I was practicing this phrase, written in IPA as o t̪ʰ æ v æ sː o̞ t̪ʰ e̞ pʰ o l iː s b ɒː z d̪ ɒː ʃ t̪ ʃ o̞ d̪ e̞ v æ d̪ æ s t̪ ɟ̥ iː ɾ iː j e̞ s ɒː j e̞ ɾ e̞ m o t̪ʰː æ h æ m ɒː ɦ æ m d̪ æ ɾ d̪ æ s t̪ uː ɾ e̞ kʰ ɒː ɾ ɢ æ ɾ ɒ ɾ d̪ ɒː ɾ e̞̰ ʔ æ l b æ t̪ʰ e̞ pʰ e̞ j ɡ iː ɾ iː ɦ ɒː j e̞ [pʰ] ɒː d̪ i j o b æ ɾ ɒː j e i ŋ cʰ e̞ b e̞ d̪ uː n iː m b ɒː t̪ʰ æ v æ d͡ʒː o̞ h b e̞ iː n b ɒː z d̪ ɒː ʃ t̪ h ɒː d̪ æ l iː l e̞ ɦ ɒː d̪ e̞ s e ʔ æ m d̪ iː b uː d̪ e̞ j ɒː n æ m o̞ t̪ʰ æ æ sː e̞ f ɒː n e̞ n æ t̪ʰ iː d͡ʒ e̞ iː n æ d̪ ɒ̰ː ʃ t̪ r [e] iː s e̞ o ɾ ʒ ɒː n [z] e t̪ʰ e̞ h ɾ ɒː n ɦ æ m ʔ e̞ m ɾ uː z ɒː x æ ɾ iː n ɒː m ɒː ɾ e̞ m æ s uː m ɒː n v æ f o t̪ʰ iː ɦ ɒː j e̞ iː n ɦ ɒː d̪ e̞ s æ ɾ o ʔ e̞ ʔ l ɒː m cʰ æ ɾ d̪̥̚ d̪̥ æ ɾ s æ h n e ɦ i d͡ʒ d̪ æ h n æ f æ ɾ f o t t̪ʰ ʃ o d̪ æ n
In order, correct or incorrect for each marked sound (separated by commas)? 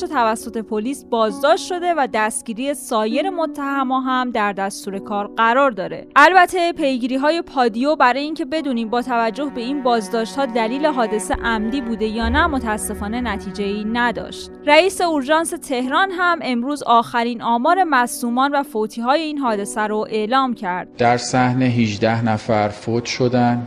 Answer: correct, incorrect, incorrect